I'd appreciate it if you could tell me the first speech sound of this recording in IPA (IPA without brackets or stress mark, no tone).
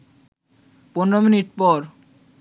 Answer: p